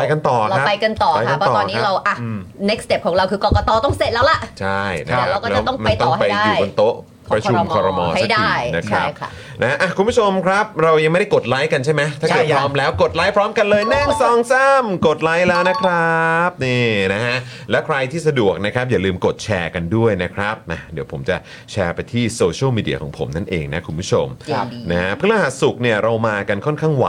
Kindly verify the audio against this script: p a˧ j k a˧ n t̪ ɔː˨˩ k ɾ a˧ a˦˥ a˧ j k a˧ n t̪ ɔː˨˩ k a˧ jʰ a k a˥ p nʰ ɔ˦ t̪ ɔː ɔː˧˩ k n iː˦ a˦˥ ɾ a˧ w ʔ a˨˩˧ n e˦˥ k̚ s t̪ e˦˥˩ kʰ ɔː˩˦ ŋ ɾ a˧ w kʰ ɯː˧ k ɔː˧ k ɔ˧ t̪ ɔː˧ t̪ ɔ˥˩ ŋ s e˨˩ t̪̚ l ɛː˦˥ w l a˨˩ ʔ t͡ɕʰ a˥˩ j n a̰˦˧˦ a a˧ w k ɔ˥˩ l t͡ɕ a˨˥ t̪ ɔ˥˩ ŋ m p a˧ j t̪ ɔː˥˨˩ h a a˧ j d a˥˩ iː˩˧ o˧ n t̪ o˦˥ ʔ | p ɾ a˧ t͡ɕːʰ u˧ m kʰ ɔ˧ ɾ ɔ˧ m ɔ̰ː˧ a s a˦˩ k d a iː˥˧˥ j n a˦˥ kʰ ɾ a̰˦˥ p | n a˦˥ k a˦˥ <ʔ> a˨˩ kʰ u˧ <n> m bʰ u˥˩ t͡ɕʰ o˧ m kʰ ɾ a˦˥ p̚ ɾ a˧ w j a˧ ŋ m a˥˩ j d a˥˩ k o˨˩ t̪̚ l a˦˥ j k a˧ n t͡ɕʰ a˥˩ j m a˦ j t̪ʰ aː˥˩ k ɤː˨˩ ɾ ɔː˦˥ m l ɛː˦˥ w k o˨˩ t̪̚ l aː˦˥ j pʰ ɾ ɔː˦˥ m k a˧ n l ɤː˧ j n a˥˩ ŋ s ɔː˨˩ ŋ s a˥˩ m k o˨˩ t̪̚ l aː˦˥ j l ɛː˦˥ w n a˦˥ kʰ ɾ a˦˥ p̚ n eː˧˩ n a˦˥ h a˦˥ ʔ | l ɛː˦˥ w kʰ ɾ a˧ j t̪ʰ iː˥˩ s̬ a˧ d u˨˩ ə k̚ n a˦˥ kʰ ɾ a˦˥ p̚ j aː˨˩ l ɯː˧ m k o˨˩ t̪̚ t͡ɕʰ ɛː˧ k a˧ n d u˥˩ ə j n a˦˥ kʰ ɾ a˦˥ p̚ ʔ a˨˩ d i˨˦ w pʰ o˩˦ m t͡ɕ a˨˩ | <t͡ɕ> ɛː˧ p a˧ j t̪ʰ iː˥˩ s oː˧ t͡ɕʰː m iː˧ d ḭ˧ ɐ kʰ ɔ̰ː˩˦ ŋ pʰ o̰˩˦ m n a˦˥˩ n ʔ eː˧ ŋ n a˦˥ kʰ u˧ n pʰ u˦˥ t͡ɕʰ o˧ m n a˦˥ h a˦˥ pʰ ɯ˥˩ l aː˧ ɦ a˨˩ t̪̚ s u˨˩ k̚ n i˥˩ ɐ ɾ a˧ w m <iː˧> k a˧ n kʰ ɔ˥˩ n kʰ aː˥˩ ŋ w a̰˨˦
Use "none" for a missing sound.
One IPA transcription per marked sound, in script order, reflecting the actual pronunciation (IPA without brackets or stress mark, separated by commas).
ʔ, n, t͡ɕʰ, aː˧